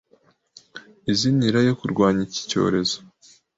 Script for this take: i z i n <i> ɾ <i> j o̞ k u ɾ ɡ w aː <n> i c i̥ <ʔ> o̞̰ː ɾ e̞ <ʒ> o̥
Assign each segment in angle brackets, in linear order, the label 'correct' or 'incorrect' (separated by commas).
correct, incorrect, incorrect, incorrect, incorrect